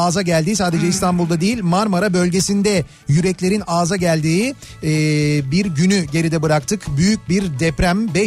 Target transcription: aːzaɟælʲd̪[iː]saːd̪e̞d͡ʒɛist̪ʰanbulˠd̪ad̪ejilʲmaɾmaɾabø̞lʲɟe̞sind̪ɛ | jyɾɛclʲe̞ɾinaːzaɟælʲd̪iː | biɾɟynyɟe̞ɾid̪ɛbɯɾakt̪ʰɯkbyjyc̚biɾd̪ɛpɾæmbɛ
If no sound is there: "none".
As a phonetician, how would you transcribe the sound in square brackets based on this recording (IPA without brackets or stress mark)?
iː